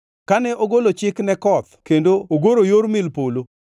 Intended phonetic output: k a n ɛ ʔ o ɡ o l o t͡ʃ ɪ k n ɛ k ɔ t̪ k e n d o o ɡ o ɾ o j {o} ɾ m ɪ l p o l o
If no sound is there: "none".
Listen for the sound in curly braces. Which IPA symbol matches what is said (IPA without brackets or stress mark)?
o